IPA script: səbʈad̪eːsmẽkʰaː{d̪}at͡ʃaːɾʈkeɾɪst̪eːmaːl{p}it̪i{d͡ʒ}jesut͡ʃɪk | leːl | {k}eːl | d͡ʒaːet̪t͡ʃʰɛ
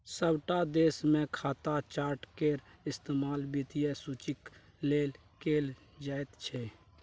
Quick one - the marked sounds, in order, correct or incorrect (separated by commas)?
incorrect, incorrect, incorrect, correct